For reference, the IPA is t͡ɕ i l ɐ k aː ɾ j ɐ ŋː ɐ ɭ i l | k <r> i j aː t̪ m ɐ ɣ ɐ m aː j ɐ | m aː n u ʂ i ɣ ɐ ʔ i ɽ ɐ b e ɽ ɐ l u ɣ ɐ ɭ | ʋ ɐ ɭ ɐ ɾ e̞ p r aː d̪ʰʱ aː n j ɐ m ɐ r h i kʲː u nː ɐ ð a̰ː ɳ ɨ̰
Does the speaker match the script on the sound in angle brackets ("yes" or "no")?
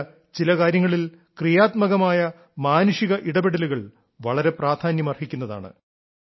yes